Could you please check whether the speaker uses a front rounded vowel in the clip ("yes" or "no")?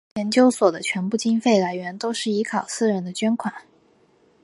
no